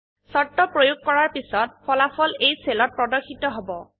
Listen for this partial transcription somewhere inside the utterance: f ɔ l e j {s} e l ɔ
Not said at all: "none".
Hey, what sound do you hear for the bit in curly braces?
s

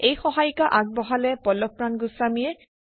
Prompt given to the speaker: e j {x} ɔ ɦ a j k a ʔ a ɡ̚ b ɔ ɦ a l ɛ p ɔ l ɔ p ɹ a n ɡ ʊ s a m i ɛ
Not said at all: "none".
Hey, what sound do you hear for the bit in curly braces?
x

